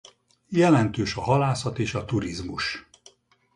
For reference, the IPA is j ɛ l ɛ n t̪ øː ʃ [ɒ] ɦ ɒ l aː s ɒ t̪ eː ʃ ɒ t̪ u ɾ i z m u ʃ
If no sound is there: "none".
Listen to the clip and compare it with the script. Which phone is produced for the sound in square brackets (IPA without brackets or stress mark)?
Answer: ɒ